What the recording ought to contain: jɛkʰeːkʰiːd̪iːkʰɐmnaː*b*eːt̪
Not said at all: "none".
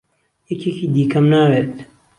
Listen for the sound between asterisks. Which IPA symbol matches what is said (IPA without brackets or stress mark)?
w